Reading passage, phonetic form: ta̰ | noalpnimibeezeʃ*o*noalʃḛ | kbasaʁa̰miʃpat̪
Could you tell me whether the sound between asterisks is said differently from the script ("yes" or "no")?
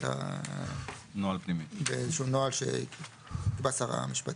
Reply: yes